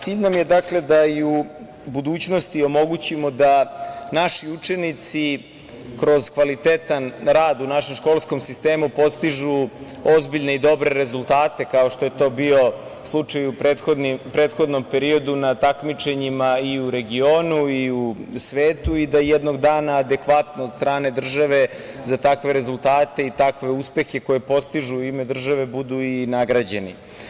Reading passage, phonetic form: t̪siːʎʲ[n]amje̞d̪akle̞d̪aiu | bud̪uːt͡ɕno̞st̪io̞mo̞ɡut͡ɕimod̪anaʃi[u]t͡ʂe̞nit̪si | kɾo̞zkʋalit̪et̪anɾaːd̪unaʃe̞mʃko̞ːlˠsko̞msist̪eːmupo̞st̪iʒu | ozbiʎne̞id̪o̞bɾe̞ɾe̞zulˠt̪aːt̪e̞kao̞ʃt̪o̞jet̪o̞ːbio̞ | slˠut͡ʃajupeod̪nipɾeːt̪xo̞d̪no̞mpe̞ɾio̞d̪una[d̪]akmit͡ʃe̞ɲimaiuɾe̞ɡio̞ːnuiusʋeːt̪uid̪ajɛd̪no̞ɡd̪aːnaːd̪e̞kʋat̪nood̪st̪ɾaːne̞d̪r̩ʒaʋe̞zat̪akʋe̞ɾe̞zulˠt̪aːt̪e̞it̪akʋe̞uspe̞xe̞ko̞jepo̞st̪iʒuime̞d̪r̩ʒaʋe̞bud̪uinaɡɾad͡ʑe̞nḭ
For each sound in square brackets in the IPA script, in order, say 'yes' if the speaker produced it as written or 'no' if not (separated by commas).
yes, yes, no